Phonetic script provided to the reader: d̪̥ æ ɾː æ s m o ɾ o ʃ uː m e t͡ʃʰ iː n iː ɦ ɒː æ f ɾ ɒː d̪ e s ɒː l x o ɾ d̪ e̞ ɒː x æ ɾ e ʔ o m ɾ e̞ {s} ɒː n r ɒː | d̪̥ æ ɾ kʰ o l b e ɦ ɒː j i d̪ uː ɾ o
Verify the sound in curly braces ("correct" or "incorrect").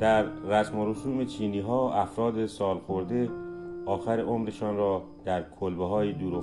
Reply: incorrect